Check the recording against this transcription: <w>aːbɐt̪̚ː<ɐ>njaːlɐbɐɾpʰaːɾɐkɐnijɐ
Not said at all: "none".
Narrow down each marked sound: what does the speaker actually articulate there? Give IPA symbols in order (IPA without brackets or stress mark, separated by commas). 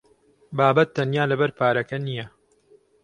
b, ɐ